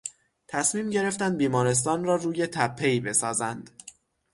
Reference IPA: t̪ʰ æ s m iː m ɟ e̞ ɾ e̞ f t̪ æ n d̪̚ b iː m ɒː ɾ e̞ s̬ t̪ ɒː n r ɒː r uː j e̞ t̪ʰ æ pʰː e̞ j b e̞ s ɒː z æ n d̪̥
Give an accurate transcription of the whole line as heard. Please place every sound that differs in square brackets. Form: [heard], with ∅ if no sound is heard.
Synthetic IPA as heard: t̪ʰ æ s m iː m ɟ e̞ ɾ e̞ f t̪ æ n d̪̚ b iː m ɒː ɾ e̞ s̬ t̪ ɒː n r ɒː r uː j e̞ t̪ʰ æ pʰː e̞ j b e̞ s ɒː z æ n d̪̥